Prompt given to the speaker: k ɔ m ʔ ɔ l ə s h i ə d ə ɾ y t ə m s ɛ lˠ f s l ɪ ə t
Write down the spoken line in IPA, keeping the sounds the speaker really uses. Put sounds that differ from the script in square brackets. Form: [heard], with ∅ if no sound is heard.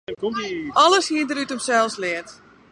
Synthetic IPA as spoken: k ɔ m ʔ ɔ l ə s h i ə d ə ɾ y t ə m s ɛ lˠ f s l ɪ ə t